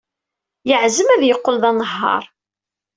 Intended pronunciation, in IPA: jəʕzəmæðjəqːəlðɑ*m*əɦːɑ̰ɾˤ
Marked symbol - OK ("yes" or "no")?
no